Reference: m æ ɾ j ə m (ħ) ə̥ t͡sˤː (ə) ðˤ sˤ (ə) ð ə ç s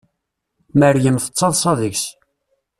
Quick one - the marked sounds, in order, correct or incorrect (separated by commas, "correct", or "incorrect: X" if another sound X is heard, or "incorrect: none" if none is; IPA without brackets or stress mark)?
incorrect: θ, incorrect: ɑ, incorrect: ɑ